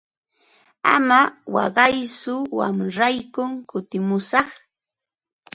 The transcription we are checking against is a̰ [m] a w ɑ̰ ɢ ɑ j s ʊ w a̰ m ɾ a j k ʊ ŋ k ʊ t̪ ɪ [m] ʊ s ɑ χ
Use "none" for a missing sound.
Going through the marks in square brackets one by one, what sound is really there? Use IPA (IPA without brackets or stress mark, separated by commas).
m, m